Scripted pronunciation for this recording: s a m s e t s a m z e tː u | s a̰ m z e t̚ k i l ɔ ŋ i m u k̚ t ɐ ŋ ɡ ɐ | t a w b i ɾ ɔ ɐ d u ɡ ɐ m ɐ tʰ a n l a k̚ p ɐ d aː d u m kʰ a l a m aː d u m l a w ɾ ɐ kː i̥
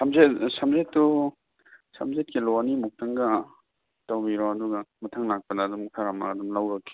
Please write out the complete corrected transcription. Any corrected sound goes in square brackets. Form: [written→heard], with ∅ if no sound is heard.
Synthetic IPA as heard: s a m [s→z] e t s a m z e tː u | s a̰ m z e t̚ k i l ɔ [ŋ→n] i m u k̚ t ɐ ŋ ɡ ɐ | t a w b i ɾ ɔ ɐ d u ɡ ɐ m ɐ tʰ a [n→ŋ] l a k̚ p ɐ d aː d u m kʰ a [l→ɾ] a m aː d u m l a w ɾ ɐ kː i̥